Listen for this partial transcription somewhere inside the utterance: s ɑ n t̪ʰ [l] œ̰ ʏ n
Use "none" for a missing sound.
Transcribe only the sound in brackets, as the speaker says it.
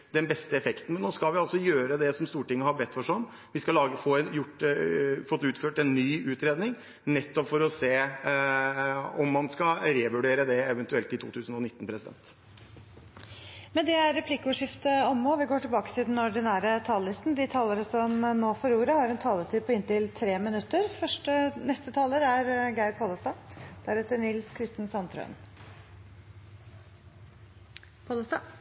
ɾ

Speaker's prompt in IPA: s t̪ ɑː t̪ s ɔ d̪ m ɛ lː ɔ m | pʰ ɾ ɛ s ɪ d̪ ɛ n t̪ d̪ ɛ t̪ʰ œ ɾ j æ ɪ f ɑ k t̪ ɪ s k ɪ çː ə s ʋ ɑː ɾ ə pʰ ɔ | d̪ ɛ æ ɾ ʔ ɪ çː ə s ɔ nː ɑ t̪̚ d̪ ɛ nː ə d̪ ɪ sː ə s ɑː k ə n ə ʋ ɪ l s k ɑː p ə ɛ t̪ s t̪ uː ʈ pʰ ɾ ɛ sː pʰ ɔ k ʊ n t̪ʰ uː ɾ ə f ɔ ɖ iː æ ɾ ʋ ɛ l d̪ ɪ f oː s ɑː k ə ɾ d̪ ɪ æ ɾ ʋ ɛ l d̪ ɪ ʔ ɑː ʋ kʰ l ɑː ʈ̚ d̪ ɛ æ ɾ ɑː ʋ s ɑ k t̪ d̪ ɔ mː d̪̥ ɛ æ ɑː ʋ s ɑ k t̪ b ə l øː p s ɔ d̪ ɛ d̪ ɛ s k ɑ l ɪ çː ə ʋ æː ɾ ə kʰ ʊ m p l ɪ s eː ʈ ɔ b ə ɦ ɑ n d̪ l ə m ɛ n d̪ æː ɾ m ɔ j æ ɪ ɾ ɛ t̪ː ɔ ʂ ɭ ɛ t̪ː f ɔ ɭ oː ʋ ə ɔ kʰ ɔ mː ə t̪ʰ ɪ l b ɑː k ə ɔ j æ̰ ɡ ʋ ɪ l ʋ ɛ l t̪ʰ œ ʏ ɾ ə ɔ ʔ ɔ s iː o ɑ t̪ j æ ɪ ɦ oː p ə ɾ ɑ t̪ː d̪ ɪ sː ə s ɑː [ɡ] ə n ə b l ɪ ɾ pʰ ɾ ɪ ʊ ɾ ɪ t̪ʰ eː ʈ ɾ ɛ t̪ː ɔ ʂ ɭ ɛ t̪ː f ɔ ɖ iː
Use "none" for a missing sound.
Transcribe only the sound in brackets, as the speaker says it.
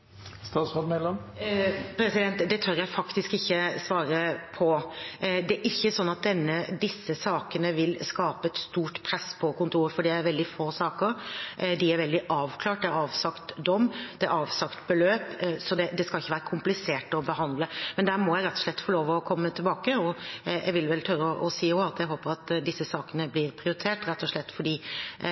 k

